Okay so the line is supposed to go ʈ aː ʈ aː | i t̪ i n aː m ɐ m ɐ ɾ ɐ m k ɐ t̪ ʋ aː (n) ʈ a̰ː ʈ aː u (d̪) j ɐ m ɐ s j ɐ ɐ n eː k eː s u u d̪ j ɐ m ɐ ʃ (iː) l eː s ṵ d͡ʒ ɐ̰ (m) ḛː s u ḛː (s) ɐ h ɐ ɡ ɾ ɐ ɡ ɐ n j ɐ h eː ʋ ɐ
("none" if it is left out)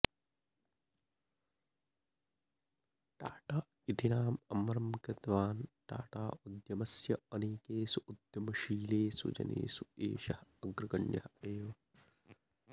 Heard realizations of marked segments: n, d̪, iː, n, ʃ

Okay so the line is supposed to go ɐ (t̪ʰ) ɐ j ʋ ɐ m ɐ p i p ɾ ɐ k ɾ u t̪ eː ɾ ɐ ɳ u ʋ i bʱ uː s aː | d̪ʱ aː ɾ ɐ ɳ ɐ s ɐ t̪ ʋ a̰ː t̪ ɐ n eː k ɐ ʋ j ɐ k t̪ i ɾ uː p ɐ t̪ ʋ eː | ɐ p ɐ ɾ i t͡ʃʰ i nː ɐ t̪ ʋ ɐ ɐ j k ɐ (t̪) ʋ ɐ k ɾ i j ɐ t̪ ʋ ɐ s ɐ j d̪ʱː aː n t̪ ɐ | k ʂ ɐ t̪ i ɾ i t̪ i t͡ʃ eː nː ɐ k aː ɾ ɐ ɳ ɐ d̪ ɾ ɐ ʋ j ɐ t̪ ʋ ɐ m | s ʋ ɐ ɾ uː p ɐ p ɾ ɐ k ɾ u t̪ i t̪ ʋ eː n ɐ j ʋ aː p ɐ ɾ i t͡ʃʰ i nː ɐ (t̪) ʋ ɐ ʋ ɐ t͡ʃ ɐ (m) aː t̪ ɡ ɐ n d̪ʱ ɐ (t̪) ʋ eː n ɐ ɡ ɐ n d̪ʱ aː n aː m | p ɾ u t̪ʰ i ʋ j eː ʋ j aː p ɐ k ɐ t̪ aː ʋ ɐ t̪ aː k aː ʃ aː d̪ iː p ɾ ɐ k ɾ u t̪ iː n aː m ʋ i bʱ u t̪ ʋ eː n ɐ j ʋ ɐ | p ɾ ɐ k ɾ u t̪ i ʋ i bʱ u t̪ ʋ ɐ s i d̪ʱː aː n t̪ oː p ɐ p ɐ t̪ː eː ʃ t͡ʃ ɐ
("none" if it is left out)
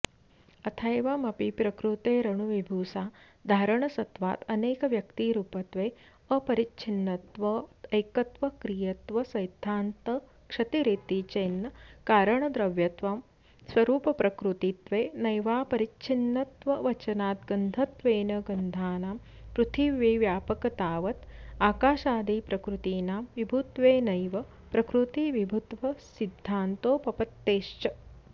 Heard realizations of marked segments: t̪ʰ, t̪, t̪, n, t̪

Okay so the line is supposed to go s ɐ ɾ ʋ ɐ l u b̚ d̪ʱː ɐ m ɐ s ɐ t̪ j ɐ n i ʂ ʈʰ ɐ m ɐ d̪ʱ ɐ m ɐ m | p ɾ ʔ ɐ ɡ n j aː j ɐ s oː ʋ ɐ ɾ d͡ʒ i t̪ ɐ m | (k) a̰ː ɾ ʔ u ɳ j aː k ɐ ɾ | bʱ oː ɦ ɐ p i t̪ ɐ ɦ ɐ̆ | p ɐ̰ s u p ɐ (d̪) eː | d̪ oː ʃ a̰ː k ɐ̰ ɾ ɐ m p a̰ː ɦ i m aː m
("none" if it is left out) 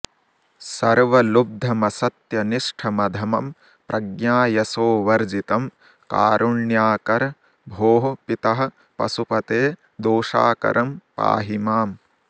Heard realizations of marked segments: k, t̪

